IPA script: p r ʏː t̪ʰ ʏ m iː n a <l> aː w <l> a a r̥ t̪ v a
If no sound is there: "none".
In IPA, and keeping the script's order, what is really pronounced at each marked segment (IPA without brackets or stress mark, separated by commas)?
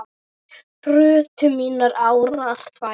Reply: ɾ, ɾ